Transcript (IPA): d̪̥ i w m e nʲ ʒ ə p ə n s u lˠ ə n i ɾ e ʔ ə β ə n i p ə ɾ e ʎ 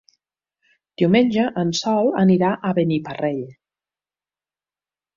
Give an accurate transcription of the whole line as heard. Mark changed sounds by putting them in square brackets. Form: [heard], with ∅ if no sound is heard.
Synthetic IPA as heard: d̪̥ i w m e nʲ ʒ ə [ʔ] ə n s [ɔ] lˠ ə n i ɾ [a] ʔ ə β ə n i p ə [r] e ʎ

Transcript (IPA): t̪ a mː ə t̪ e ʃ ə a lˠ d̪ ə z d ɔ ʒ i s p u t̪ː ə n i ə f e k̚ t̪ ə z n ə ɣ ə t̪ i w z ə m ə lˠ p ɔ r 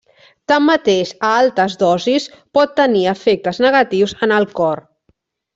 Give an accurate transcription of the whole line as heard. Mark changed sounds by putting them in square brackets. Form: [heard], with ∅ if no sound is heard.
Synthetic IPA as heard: t̪ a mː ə t̪ e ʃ ə a lˠ [t̪] ə z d ɔ [z] i s p [ɔ] t̪ː ə n i ə f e k̚ t̪ ə z n ə ɣ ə t̪ i w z ə [n] ə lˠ [k] ɔ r

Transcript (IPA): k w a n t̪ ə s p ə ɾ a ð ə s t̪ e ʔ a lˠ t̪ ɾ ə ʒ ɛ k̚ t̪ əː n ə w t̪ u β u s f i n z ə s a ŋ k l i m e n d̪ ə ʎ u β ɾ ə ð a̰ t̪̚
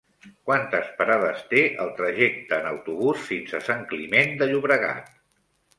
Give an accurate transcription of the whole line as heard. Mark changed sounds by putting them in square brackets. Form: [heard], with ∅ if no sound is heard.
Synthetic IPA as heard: k w a n t̪ ə s p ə ɾ a ð ə s t̪ e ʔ [ə] lˠ t̪ ɾ ə ʒ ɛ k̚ t̪ əː n ə w t̪ u β u s f i n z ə s a ŋ k l i m e n d̪ ə ʎ u β ɾ ə [ɣ] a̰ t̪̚

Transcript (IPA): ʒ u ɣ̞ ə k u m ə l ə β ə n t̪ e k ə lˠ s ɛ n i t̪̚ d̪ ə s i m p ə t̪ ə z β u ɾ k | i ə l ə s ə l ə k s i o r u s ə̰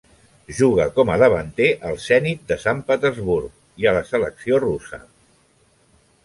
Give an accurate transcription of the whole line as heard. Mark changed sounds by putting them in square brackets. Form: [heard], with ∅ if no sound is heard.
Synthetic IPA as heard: ʒ u ɣ̞ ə k [ɔ] m ə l ə β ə n t̪ e [ʔ] ə lˠ s ɛ n i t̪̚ d̪ ə s [a] m p ə t̪ ə z β u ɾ k | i ə l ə s ə l ə k s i o r u s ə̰

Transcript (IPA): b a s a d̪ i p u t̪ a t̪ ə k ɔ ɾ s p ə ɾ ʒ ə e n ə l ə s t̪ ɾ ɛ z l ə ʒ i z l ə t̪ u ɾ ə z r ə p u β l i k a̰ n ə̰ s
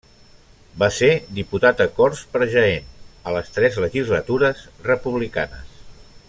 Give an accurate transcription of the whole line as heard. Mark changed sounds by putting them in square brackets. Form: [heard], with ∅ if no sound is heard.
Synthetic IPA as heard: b a s [e] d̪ i p u t̪ a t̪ ə k ɔ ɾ s p ə ɾ ʒ ə e n ə l ə s t̪ ɾ ɛ z l ə ʒ i z l ə t̪ u ɾ ə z r ə p u β l i k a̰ n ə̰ s

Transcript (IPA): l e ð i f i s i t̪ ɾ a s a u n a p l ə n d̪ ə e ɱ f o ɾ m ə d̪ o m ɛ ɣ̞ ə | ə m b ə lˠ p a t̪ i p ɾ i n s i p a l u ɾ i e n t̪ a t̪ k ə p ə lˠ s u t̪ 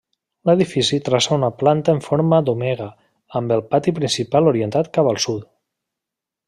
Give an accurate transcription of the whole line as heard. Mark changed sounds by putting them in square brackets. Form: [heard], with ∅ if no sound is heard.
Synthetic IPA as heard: l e ð i f i s i t̪ ɾ a s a u n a p l [a] n [t̪] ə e ɱ f o ɾ m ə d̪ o m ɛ ɣ̞ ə | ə m b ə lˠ p a t̪ i p ɾ i n s i p a l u ɾ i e n t̪ a t̪ k [a] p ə lˠ s u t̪

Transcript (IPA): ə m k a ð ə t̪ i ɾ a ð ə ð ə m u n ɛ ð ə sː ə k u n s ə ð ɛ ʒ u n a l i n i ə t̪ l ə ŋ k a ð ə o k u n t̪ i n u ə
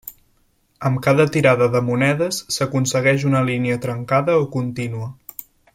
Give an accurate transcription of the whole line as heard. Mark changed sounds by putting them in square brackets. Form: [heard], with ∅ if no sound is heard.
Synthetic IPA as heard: ə m k a ð ə t̪ i ɾ a ð ə ð ə m u n ɛ ð ə sː ə k u n s ə [ɣ] ɛ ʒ u n [ə] l i n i ə t̪ [ɾ] ə ŋ k a ð ə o k u n t̪ i n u ə

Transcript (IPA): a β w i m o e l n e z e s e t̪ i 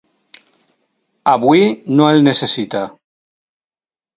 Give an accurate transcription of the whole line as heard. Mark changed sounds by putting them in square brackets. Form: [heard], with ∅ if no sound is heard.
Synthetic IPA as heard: a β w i [n] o e l n e [s] e s [i] t̪ [a]

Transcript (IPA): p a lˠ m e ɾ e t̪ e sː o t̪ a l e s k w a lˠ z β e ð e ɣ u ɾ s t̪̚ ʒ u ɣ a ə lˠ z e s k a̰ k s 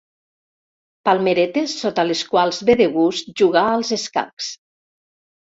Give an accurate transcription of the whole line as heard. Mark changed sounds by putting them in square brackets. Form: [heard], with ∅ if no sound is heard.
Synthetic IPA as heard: p a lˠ m e ɾ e t̪ e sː o t̪ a l e s k w a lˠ z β e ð e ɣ u [∅] s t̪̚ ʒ u ɣ a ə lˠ z e s k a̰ k s

